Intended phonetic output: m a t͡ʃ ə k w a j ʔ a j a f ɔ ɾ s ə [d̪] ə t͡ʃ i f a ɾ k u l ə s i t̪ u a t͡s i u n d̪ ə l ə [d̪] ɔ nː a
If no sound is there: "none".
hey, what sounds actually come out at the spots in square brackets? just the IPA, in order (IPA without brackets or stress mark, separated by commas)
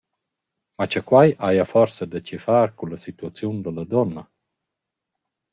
d̪, d̪